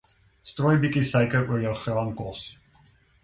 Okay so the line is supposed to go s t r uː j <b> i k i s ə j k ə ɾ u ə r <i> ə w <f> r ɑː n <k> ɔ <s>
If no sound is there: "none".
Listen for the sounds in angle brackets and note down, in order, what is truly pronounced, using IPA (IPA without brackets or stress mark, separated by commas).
b, j, χ, k, s